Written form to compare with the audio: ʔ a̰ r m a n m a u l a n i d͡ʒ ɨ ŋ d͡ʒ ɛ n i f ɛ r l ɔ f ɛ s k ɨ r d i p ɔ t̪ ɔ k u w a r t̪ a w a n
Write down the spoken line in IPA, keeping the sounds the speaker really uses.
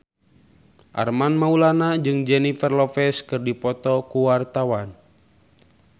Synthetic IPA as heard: ʔ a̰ r m a n m a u l a n a d͡ʒ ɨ ŋ d͡ʒ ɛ n i f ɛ r l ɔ f ɛ s k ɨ r d i p ɔ t̪ ɔ k u w a r t̪ a w a n